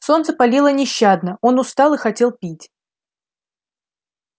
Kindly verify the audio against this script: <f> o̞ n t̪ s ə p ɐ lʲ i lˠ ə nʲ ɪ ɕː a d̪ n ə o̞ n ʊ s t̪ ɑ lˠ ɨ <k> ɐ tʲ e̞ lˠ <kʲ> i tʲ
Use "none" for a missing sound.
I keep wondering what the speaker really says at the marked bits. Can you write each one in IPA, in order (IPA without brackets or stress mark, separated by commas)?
s, x, pʲ